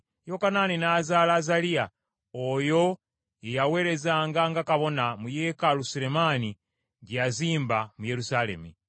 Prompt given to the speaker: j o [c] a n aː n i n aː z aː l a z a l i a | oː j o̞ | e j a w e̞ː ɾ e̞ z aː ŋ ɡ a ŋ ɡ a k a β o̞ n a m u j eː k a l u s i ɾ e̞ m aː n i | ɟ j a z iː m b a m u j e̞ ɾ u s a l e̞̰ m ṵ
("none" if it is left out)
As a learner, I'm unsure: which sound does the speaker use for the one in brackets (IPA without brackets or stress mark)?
k